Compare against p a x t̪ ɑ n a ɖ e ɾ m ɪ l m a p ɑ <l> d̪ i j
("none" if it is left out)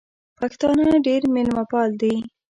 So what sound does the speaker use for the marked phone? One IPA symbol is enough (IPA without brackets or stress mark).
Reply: l